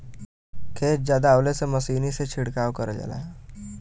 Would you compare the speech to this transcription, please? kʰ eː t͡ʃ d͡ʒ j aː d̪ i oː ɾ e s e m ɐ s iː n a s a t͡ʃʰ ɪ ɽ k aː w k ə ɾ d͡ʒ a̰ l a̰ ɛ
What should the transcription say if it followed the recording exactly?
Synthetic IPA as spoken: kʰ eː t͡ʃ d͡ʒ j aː d̪ a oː l e s e m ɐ s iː n i s e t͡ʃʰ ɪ ɽ k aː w k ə ɾ d͡ʒ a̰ l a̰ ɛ